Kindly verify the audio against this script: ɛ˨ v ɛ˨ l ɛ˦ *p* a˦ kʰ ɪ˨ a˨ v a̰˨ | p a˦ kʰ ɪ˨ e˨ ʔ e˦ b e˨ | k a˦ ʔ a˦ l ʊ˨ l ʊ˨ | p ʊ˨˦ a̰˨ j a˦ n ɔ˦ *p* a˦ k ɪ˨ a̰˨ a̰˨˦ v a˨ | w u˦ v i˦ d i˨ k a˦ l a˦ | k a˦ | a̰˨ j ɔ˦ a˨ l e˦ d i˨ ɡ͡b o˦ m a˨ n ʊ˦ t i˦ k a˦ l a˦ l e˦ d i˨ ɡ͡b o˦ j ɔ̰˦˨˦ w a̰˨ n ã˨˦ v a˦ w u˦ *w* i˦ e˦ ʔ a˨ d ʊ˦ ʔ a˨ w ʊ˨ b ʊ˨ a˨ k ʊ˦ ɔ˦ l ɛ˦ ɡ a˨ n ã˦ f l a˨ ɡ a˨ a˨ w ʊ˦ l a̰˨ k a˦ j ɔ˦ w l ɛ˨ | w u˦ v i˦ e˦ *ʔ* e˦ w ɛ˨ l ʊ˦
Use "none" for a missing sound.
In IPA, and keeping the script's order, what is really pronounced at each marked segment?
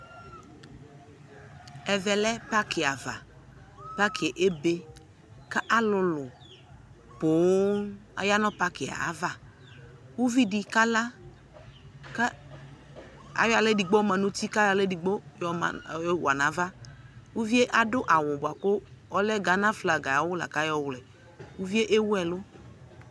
p, p, v, ʔ

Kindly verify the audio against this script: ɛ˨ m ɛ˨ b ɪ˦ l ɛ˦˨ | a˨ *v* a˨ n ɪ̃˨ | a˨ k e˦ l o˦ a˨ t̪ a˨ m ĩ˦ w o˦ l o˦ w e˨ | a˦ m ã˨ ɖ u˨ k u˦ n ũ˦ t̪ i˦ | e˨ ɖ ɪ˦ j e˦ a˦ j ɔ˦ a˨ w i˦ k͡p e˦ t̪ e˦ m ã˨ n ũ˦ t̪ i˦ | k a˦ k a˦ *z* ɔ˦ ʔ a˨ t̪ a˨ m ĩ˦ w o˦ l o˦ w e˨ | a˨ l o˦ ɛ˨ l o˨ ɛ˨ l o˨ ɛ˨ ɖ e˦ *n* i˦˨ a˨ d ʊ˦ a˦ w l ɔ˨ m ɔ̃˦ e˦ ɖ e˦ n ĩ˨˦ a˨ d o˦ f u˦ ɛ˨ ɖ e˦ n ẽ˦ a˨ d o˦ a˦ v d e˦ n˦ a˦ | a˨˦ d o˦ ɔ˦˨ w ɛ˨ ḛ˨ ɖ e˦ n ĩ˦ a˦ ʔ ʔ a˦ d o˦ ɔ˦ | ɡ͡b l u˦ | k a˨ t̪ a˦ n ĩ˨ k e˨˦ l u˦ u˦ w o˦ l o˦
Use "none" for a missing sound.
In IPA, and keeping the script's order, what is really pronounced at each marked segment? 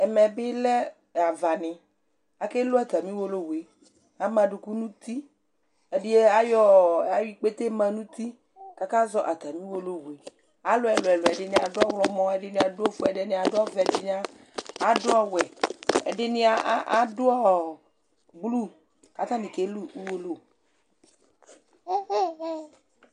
v, z, n

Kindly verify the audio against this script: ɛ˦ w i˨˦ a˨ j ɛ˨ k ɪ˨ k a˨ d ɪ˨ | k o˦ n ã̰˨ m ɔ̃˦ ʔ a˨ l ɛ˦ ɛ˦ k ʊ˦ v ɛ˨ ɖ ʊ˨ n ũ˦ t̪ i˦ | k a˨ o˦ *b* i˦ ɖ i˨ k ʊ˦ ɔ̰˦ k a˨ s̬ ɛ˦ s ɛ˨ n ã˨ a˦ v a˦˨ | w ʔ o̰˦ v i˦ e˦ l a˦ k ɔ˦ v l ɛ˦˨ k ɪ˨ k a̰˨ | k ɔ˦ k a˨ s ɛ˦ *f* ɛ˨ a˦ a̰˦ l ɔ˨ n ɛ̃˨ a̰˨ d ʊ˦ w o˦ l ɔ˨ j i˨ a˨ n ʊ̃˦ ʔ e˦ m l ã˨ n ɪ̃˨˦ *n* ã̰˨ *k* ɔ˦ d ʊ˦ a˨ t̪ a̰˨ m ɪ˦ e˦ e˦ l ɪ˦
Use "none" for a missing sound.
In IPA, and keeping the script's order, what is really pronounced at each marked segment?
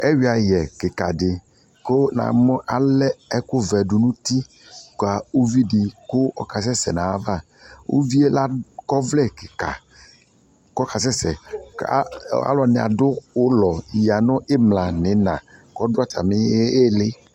v, s, n, k

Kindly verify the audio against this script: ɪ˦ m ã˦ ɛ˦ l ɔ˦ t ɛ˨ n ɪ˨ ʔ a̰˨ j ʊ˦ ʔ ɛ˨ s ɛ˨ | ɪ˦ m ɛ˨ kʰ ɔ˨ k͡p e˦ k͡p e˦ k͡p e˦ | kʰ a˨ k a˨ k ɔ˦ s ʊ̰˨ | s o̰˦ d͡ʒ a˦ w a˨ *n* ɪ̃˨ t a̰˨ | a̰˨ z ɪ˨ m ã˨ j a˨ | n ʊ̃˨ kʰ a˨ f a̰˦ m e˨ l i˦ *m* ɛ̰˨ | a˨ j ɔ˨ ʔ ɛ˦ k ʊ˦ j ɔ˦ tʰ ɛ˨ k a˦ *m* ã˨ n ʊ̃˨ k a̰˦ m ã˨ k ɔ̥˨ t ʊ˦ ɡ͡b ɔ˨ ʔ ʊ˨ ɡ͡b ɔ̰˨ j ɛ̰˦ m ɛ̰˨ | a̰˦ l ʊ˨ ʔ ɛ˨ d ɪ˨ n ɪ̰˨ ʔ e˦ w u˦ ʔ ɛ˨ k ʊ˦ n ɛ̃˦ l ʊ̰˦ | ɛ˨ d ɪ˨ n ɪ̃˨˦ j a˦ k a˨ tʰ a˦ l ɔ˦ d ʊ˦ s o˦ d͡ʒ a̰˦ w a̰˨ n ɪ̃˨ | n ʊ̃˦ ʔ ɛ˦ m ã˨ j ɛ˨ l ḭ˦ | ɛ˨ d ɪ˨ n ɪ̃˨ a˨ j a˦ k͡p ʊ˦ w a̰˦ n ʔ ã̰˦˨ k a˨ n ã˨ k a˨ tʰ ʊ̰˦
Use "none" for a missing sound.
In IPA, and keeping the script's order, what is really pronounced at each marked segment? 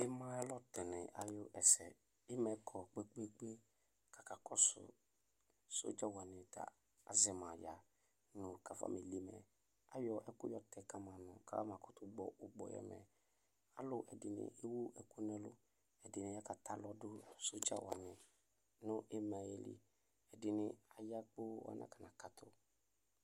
n, m, m

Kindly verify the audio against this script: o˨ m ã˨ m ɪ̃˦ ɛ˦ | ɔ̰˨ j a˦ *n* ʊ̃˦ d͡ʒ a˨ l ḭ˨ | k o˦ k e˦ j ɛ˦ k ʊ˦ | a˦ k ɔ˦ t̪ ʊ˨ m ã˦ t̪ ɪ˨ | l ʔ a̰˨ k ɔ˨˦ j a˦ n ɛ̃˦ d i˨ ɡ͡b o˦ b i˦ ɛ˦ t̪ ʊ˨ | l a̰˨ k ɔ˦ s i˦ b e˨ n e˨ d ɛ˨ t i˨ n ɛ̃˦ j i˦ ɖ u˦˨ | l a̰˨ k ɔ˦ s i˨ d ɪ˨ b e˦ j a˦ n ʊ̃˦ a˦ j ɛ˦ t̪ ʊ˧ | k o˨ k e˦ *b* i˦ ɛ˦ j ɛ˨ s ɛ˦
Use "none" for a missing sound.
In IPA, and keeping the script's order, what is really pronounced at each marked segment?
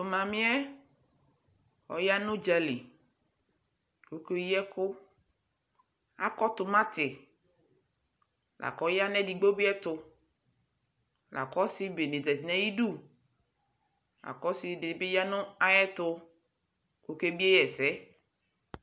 n, b

